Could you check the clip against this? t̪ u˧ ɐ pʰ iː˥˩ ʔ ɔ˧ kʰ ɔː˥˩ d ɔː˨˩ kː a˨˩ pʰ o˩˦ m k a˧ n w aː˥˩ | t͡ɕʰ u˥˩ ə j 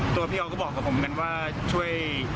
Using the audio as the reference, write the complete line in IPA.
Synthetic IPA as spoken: t̪ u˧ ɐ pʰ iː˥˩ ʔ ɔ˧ k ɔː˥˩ b ɔː˨˩ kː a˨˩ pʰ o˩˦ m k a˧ n w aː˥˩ | t͡ɕʰ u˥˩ ə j